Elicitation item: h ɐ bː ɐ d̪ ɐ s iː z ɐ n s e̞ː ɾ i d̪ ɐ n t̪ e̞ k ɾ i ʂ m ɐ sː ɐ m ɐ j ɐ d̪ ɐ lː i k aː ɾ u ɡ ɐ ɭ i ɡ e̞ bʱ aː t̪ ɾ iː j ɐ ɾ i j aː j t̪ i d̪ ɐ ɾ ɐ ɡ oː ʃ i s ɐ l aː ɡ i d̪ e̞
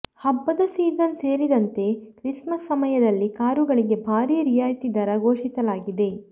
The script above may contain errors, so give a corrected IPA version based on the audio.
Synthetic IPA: h ɐ bː ɐ d̪ ɐ s iː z ɐ n s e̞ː ɾ i d̪ ɐ n t̪ e̞ k ɾ i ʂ m ɐ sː ɐ m ɐ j ɐ d̪ ɐ lː i k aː ɾ u ɡ ɐ ɭ i ɡ e̞ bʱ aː ɾ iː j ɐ ɾ i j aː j t̪ i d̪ ɐ ɾ ɐ ɡ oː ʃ i s ɐ l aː ɡ i d̪ e̞